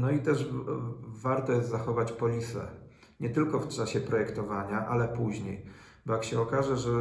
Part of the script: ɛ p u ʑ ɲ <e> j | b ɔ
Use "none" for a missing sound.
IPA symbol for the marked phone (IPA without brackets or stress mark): e